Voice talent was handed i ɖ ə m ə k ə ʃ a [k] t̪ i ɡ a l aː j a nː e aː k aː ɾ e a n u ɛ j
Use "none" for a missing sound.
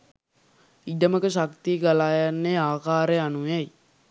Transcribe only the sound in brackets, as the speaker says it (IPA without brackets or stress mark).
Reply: k